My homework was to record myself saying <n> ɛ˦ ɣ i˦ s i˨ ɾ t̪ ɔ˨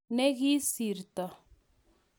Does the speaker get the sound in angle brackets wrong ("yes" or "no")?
no